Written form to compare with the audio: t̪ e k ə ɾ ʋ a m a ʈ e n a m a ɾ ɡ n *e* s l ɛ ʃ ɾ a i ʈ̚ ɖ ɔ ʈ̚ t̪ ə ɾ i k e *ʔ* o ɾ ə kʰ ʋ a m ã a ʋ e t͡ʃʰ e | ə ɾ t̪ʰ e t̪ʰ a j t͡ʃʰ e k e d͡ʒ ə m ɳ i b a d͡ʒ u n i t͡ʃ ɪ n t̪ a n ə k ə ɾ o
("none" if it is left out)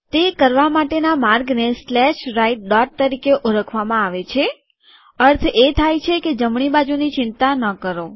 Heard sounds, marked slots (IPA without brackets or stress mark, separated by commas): e, ʔ